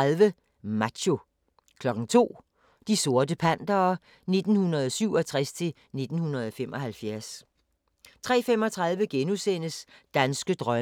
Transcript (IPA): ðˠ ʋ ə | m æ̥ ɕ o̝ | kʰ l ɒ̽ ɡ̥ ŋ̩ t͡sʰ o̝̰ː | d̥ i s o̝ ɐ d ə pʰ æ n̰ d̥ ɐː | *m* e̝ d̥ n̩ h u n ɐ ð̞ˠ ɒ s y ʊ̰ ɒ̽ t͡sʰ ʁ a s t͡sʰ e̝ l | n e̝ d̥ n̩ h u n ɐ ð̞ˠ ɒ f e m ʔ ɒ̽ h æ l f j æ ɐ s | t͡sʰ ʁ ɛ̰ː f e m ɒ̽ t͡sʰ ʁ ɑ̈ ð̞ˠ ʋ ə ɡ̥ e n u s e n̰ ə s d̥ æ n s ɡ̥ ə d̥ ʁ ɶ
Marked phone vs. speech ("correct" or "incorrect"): incorrect